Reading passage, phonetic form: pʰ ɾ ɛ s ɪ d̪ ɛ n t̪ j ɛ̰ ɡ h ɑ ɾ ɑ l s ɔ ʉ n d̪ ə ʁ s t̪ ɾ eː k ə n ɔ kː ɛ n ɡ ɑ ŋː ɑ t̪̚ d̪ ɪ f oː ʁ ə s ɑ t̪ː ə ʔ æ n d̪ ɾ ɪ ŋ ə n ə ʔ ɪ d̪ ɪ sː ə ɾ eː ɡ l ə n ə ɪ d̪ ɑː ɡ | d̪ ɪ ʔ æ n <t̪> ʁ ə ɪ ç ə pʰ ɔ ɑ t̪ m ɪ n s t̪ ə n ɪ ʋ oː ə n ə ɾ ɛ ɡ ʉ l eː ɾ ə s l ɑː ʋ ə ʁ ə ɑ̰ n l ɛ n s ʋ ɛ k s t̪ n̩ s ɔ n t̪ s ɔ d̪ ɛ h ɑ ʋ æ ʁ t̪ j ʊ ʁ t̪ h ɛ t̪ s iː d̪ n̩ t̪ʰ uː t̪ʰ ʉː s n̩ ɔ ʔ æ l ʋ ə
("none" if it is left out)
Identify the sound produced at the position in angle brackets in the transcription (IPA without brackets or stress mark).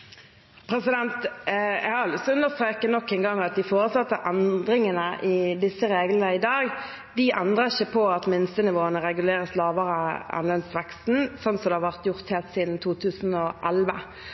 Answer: d̪